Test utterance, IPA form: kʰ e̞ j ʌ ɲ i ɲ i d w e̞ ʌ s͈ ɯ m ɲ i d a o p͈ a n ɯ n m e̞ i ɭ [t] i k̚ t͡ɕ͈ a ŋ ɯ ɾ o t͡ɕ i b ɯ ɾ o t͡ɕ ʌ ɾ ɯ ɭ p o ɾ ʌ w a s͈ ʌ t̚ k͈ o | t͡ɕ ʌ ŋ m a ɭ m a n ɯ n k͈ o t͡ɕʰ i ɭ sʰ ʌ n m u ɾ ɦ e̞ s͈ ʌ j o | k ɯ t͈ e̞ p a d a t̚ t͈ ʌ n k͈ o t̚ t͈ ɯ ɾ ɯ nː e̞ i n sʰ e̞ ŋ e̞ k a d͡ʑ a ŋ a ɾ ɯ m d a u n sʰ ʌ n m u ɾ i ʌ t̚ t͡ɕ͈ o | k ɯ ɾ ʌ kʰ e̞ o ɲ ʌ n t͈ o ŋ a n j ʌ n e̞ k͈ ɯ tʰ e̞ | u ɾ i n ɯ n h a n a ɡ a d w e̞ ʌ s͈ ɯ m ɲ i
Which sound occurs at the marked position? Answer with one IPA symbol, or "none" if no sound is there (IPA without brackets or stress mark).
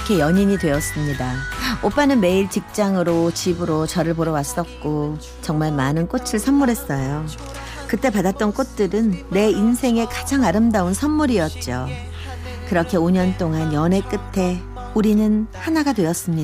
t͡ɕ